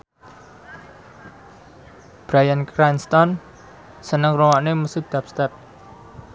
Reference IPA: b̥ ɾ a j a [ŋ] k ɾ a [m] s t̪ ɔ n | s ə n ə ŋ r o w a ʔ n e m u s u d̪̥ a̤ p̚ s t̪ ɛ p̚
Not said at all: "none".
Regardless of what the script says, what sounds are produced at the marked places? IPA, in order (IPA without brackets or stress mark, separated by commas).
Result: n, n